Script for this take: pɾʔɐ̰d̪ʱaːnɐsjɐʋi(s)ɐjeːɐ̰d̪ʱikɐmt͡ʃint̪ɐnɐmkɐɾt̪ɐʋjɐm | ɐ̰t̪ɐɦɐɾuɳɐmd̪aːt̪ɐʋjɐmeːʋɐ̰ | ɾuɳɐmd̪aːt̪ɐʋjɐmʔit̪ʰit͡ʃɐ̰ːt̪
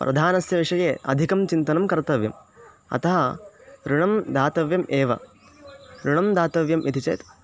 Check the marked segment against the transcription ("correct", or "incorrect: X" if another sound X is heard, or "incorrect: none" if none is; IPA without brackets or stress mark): incorrect: ʂ